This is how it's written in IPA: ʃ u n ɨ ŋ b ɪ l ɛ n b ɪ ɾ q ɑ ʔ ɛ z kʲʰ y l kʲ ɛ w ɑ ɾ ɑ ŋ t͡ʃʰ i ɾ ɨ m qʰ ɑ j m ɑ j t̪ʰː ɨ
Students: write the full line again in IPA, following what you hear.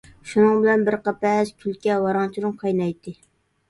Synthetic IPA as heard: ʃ u n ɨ ŋ b ɪ l ɛ n b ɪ ɾ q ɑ p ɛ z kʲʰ y l kʲ ɛ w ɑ ɾ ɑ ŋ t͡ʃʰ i ɾ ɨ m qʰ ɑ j n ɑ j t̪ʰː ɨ